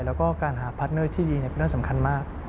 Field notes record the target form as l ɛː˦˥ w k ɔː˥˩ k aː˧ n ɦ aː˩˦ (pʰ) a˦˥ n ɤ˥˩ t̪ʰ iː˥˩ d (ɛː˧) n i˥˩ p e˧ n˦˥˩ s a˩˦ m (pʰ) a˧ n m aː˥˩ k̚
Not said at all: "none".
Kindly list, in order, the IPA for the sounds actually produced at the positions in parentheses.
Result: pʰ, iː˧, kʰ

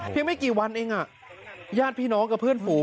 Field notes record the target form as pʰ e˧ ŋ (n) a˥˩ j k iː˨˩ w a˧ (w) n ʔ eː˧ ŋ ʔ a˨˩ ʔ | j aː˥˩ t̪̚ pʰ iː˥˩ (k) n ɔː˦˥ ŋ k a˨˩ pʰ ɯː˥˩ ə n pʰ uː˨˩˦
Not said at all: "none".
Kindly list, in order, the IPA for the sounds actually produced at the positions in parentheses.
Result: m, none, none

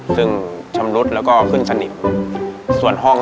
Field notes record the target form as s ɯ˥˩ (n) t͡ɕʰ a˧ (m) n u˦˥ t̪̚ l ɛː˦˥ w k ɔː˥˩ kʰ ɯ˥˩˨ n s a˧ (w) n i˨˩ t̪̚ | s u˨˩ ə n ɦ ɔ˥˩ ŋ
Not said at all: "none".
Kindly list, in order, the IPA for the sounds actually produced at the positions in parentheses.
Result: ŋ, m, none

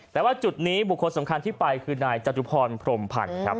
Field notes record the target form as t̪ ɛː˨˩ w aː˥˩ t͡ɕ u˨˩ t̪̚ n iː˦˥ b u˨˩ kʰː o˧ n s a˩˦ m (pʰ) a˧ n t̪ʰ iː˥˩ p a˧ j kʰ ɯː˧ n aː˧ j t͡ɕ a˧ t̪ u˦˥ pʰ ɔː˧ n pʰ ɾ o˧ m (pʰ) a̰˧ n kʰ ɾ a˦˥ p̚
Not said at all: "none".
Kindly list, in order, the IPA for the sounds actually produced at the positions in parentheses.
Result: kʰ, pʰ

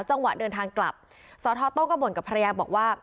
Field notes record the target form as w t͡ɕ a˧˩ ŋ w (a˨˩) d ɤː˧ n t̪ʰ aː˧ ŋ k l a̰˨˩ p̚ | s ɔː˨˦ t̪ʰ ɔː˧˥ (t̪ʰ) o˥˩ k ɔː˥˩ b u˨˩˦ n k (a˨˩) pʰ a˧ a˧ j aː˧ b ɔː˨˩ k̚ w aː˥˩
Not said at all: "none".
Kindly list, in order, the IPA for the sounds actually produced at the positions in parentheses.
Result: a˨˩, t̪, a˨˩

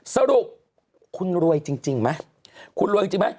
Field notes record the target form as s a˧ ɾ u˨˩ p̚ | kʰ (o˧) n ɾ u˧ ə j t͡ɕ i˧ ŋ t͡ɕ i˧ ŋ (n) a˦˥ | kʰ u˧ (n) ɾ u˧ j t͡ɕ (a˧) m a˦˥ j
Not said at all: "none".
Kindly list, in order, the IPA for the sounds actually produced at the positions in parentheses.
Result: u˧, m, n, i˧

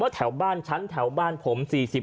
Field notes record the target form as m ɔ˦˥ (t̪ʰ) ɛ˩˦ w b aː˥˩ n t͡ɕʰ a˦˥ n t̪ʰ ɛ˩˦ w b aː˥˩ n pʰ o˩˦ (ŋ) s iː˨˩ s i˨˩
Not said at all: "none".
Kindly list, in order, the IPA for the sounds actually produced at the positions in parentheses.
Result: t̪ʰ, m

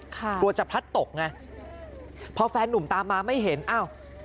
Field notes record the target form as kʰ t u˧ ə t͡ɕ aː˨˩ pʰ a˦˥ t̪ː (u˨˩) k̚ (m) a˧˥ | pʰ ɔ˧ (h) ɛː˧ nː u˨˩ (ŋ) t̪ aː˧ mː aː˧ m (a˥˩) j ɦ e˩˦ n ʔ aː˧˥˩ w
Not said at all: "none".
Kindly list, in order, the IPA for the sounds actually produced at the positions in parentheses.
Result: o˨˩, ŋ, f, m, a˥˩

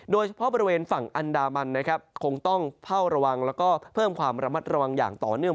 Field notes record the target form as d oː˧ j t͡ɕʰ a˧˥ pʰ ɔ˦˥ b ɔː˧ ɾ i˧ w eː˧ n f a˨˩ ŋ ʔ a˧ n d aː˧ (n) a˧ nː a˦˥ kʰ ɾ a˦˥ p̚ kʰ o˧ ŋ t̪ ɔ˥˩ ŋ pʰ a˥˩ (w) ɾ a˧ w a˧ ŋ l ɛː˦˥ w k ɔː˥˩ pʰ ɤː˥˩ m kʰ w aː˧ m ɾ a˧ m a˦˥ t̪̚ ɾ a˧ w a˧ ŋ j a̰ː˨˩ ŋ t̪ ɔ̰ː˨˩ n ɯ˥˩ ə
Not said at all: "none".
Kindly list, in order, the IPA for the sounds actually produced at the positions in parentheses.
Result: m, w

